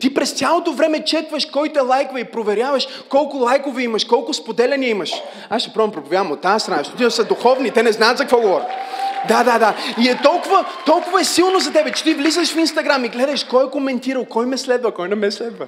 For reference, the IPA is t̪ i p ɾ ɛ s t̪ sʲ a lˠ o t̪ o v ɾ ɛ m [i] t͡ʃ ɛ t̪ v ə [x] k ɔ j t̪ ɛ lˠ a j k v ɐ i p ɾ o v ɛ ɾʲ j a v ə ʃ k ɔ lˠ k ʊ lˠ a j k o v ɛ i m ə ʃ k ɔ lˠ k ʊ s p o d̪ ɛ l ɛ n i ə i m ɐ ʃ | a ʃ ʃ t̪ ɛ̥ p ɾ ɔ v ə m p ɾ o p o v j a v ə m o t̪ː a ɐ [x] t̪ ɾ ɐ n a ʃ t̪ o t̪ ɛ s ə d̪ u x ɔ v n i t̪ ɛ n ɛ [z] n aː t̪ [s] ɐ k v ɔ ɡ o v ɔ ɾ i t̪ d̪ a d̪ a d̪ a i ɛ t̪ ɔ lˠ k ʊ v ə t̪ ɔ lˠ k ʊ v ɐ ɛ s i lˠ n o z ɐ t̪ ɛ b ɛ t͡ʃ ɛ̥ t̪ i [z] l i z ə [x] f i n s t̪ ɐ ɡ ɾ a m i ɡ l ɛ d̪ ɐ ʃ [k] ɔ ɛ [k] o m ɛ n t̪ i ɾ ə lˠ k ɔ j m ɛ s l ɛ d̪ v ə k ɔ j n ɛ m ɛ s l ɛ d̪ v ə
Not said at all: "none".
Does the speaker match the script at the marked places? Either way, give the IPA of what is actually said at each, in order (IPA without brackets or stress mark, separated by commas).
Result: ɛ, ʃ, s, z, z, v, ʃ, k, k